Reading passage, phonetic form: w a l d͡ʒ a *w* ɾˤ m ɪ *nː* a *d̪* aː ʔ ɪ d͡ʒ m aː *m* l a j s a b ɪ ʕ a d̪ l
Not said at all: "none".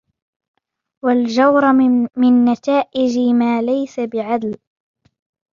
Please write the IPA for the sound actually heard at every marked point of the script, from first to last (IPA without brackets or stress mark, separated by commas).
w, nː, t̪, none